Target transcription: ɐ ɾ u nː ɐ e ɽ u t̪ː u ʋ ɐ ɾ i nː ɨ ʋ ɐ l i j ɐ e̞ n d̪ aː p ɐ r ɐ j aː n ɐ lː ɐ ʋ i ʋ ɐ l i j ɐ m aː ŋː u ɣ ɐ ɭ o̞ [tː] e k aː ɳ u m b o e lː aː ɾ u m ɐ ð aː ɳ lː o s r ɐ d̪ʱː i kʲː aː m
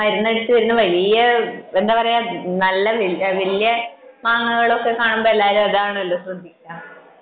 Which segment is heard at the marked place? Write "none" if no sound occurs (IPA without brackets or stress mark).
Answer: kː